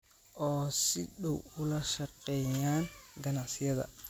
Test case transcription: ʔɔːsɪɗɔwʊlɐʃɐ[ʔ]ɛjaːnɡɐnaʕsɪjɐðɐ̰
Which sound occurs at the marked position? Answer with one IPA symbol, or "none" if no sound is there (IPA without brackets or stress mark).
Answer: q